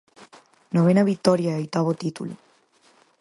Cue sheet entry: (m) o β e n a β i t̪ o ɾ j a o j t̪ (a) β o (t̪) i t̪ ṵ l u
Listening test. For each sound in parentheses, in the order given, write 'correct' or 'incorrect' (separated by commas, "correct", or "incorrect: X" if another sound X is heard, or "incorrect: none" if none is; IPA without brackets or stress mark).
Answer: incorrect: n, correct, correct